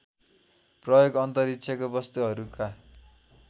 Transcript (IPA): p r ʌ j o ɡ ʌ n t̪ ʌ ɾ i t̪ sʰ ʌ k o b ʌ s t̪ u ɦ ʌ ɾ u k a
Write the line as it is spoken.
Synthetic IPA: p r ʌ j o ɡ ʌ n t̪ ʌ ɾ i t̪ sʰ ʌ k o b ʌ s t̪ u ɦ ʌ ɾ u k a